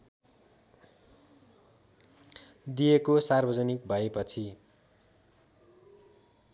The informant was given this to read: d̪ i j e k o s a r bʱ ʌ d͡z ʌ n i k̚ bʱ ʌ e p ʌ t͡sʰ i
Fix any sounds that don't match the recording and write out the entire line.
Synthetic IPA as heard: d̪ i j e k o s a r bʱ ʌ d͡z ʌ n i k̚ bʱ ʌ e p ʌ t͡sʰ i